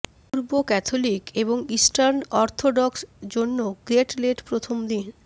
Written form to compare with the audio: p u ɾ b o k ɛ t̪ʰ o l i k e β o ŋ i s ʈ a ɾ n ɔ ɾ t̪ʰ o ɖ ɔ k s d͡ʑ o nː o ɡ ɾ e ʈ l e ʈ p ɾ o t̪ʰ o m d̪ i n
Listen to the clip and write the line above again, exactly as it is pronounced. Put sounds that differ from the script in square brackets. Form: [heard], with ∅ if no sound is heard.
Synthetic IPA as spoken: p u ɾ b o k ɛ t̪ʰ o l i k e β o ŋ i s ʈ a ɾ n ɔ ɾ t̪ʰ o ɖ ɔ k s d͡ʑ o nː o ɡ ɾ e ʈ l e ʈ p ɾ o t̪ʰ o m d̪ i n